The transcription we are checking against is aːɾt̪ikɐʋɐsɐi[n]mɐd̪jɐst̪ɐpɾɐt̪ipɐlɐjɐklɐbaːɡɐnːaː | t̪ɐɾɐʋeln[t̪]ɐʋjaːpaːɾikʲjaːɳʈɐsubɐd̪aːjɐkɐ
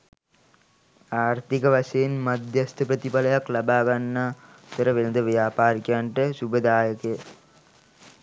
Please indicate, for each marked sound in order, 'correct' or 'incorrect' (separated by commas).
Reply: correct, incorrect